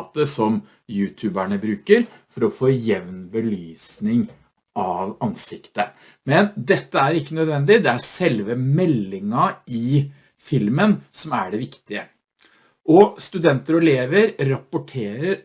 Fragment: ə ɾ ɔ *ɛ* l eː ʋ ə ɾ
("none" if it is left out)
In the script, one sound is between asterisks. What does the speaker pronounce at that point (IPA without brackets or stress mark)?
ɛ